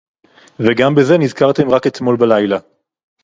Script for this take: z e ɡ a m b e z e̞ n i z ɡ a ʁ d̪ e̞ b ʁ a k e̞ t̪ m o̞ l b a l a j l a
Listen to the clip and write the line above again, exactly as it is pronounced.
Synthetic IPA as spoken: v e ɡ a m b e z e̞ n i z k a ʁ t̪ e̞ m ʁ a k e̞ t̪ m o̞ l b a l a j l a